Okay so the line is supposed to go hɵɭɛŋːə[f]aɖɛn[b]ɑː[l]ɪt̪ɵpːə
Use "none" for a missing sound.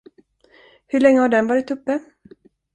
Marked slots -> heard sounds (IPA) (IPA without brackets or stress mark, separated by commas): h, v, ɾ